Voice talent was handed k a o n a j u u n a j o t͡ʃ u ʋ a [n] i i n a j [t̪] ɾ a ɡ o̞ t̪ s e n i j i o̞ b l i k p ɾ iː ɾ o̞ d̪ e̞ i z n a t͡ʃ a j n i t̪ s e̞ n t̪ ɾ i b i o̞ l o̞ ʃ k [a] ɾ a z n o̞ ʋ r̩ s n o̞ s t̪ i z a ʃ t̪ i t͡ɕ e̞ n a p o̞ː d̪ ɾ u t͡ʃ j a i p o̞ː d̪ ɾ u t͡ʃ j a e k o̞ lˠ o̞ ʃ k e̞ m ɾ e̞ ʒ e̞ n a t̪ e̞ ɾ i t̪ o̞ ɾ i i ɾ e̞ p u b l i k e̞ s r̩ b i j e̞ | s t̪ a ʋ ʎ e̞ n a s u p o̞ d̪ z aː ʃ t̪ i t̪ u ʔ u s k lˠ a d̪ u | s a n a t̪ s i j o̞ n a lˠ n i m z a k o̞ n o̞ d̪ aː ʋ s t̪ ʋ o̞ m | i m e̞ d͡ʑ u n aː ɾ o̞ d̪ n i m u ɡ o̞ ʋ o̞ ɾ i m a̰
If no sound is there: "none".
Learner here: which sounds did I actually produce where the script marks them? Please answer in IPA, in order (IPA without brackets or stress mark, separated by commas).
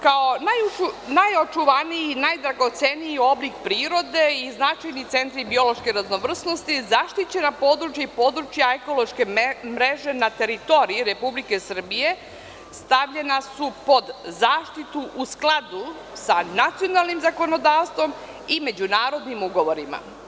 n, d̪, e